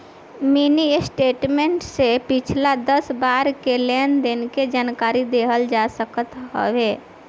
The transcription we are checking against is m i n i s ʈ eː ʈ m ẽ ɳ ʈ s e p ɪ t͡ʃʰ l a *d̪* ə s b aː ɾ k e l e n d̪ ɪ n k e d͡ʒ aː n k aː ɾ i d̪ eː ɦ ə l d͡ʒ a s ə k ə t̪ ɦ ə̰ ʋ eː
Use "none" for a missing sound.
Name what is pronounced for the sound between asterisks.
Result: d̪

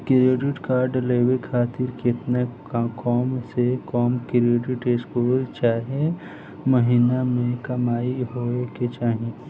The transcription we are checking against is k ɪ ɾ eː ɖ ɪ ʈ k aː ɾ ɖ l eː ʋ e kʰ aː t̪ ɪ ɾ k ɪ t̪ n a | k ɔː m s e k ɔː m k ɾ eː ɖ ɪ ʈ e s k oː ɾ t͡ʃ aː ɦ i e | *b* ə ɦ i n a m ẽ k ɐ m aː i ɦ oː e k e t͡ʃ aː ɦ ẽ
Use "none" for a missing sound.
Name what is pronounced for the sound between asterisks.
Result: m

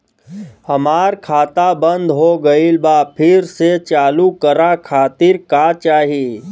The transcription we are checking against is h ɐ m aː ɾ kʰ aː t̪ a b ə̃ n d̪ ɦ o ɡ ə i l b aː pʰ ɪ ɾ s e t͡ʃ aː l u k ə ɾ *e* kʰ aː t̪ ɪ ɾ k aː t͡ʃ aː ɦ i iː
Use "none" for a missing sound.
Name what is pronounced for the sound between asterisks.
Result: a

